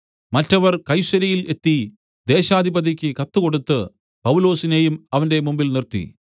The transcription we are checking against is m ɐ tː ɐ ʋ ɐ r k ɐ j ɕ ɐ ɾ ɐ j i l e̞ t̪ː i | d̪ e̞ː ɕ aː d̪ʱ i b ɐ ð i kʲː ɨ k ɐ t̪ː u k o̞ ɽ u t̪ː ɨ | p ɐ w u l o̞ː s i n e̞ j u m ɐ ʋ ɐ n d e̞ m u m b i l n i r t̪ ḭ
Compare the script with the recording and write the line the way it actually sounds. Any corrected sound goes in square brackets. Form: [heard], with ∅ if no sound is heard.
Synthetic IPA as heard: m ɐ tː ɐ ʋ ɐ r k ɐ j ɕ ɐ ɾ ɐ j i l e̞ t̪ː i | d̪ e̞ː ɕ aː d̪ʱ i b ɐ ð i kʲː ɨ k ɐ t̪ː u k o̞ ɽ u t̪ː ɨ | p ɐ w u l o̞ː s i n e̞ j u m ɐ ʋ ɐ n d e̞ m u m b i l n i r t̪ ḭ